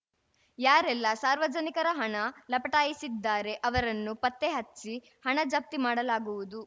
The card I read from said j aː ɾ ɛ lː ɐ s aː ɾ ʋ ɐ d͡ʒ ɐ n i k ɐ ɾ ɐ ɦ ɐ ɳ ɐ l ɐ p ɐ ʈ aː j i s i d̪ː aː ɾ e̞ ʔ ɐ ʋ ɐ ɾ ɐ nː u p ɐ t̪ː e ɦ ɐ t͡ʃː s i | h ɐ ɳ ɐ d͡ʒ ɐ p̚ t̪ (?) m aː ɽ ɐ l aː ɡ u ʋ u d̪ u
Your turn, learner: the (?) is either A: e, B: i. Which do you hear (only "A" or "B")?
B